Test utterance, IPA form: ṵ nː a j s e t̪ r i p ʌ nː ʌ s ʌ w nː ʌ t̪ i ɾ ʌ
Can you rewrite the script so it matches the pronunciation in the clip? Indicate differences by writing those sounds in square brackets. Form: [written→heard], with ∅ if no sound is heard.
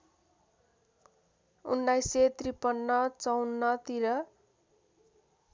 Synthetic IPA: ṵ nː a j s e t̪ r i p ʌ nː ʌ [s→t͡s] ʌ w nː ʌ t̪ i ɾ ʌ